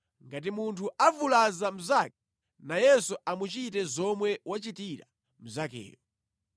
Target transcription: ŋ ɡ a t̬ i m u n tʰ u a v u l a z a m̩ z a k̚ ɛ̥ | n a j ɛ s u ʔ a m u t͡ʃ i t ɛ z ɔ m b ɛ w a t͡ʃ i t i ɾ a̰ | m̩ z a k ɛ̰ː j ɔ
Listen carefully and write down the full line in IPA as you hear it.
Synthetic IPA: ŋ ɡ a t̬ i m u n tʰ u a v u l a z a m̩ z a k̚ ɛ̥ | n a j ɛ s u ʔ a m u t͡ʃ i t ɛ z ɔ m w ɛ w a t͡ʃ i t i ɾ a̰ | m̩ z a k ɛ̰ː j ɔ